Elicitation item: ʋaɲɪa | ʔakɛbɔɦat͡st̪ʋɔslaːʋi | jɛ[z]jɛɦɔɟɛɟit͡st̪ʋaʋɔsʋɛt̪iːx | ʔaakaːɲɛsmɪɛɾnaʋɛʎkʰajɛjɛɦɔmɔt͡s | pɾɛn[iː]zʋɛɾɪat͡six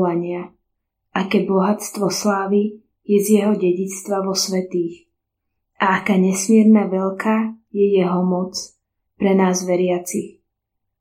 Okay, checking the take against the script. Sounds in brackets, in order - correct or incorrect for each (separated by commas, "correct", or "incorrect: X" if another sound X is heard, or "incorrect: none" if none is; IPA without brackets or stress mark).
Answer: correct, incorrect: aː